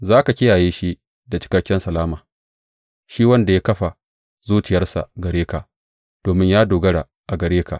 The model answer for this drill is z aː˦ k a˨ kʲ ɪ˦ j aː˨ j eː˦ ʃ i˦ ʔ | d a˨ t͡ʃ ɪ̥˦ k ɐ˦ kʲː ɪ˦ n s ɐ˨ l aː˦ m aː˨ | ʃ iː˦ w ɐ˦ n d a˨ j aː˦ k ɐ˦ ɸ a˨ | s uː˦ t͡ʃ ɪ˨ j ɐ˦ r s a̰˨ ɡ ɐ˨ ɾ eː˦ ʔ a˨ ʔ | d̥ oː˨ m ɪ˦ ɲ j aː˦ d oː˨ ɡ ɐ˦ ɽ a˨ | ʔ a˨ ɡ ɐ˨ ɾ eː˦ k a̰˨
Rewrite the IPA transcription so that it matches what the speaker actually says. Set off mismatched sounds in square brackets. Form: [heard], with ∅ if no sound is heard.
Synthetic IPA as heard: z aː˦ k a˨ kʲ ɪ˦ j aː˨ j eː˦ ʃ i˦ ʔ | d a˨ t͡ʃ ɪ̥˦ k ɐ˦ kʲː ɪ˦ n s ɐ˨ l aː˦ m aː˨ | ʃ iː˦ w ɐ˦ n d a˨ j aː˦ k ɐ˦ ɸ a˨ | [z] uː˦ t͡ʃ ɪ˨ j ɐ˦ r s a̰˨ ɡ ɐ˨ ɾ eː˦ [k] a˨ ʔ | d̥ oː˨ m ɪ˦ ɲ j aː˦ d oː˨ ɡ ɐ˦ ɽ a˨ | ʔ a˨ ɡ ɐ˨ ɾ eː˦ k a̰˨

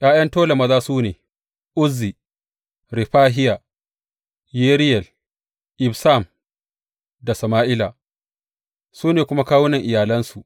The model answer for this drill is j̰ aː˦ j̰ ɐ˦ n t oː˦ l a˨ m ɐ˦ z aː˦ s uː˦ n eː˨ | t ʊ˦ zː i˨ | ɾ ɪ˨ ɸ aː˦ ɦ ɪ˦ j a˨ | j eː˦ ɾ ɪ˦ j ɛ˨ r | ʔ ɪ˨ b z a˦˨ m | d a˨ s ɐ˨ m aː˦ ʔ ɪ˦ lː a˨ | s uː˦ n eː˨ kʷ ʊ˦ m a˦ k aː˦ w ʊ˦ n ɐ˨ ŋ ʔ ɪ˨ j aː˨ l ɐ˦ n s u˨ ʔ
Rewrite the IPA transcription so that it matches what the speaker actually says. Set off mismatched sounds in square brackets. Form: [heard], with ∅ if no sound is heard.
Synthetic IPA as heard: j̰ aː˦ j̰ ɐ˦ n t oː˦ l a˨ m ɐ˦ z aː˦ s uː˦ n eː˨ | [ʔ] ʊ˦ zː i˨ | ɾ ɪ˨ ɸ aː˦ ɦ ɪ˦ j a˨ | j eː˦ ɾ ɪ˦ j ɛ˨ [l] | ʔ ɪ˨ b [s] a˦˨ m | d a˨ s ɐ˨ m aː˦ ʔ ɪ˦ [l] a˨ | s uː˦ n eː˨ kʷ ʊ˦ m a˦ k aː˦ w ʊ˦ n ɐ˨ ŋ ʔ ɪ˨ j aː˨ l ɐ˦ n s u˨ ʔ

